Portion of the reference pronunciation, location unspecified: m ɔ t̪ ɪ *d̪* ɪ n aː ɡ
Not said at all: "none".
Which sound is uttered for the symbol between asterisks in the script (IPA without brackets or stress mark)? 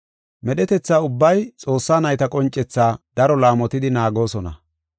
d̪